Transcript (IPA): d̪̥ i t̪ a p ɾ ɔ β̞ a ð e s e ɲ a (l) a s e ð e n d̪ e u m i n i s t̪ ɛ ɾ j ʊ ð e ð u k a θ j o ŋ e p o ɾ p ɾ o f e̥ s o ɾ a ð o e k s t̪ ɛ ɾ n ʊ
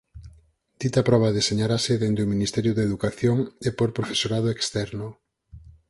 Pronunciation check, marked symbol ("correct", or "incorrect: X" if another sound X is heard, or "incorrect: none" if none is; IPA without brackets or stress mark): incorrect: ɾ